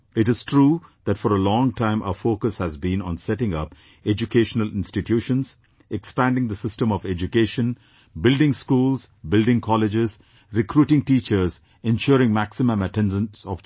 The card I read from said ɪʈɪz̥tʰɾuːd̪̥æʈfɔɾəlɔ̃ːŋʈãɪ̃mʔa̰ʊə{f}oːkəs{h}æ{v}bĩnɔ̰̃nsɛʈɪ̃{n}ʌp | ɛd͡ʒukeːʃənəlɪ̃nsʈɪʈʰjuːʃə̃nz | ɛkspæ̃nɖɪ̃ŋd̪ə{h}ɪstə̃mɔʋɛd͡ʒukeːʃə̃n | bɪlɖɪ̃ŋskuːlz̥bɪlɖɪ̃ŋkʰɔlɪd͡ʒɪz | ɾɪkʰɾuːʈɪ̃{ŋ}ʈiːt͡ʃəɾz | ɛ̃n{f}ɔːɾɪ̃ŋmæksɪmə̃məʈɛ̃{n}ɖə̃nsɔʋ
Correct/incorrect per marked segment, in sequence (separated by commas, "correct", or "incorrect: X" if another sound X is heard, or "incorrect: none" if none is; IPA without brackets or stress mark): correct, correct, incorrect: z, incorrect: ŋ, incorrect: s, correct, incorrect: ʃ, correct